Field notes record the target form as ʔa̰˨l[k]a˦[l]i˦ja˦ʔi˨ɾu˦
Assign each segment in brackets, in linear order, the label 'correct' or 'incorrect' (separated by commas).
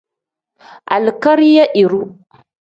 correct, incorrect